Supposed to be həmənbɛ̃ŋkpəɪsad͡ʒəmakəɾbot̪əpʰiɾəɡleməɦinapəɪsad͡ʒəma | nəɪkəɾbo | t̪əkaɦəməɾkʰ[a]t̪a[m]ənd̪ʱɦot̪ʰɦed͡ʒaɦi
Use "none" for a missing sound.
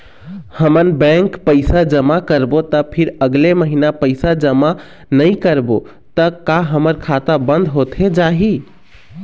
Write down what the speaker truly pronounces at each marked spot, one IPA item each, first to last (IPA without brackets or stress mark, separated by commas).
a, b